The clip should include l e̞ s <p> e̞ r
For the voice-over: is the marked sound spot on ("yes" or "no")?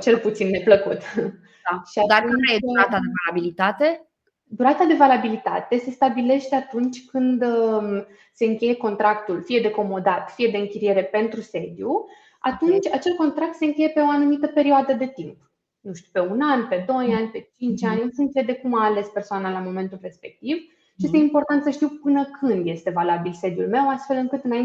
yes